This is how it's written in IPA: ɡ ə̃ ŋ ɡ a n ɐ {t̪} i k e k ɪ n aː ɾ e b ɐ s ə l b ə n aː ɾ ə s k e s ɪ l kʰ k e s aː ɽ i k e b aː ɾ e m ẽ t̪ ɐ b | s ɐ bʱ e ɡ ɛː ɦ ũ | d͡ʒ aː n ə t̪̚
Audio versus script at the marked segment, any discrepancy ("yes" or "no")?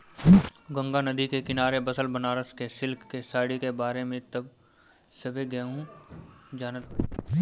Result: yes